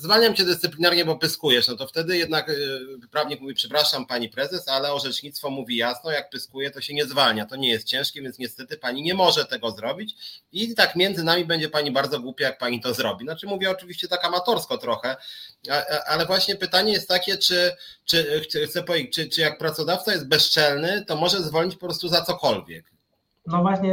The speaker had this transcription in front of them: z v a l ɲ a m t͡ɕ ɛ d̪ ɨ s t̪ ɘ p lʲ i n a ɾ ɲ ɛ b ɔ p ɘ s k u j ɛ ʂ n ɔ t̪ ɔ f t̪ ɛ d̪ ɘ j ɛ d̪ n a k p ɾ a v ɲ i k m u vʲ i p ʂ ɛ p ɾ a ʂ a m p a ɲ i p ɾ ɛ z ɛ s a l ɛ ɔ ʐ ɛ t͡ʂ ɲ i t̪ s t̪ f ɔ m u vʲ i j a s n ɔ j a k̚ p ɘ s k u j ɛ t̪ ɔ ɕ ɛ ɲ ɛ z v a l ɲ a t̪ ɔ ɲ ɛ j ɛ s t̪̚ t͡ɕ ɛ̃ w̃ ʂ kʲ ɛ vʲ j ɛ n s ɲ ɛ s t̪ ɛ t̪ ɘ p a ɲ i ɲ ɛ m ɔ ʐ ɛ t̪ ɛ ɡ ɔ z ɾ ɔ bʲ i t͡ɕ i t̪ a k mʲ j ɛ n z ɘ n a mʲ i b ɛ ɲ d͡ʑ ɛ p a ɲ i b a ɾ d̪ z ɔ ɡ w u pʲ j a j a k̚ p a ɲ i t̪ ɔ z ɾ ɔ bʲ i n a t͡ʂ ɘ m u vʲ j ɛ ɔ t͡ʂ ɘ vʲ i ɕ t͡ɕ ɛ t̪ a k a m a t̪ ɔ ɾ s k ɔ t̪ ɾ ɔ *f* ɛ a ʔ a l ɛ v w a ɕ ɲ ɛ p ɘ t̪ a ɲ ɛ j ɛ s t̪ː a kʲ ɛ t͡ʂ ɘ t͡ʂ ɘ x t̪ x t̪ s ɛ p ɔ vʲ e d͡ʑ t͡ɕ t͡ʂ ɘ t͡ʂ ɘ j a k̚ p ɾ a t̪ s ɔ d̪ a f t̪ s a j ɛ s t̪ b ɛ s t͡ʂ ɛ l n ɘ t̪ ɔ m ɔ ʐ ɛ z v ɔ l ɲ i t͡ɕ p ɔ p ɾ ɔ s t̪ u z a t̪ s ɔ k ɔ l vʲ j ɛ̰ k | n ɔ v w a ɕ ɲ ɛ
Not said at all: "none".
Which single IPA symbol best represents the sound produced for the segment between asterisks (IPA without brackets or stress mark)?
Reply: x